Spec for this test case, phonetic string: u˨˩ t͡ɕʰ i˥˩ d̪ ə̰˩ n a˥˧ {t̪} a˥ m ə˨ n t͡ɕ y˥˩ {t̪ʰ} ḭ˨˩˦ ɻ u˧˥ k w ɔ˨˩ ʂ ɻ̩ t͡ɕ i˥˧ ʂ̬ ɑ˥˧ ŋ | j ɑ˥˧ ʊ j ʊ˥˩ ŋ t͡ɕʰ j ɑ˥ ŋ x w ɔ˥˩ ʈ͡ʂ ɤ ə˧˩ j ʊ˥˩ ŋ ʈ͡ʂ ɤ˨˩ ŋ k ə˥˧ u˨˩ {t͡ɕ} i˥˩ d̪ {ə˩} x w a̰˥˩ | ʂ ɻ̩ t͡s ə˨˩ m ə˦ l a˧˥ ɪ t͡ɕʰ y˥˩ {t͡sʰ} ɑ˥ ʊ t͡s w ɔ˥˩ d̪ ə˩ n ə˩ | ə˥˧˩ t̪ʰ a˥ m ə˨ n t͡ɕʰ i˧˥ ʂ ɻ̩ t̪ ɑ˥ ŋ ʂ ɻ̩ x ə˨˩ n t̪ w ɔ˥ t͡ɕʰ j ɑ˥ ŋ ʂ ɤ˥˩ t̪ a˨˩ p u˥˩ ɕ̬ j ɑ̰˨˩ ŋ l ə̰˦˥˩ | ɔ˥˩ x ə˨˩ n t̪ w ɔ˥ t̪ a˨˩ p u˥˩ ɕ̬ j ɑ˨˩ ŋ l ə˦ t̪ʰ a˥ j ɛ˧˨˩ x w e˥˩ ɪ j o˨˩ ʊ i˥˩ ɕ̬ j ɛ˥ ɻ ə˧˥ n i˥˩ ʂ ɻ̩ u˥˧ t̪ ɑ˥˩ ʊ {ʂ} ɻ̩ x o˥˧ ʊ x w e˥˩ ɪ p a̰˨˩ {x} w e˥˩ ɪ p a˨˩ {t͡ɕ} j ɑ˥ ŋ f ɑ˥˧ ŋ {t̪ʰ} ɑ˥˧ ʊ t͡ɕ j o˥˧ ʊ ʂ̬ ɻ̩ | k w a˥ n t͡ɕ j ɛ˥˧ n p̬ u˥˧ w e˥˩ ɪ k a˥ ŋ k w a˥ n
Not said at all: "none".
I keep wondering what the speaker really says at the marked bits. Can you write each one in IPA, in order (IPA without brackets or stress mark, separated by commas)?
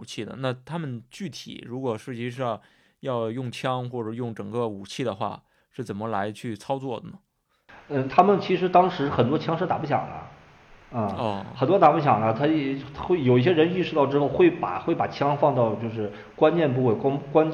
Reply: t̪ʰ, t̪ʰ, t͡ɕʰ, ə˩, t͡sʰ, ʈ͡ʂ, x, t͡ɕʰ, t̪